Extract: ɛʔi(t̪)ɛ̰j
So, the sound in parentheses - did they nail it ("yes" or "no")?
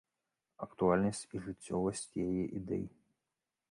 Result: no